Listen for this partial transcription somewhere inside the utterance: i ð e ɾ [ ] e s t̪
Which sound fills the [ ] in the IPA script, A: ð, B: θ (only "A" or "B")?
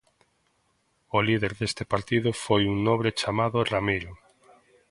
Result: A